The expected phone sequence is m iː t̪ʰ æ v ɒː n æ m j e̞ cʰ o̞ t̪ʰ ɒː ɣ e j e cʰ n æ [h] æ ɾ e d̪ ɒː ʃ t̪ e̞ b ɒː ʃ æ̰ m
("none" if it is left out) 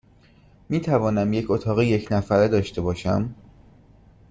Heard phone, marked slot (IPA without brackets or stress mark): f